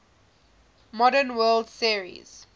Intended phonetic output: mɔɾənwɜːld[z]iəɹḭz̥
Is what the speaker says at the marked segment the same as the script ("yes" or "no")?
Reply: no